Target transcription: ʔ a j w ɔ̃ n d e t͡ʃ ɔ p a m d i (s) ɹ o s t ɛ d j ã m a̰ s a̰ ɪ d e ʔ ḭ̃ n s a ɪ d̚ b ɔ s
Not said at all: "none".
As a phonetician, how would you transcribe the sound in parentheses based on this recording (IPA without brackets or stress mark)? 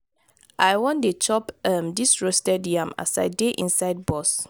s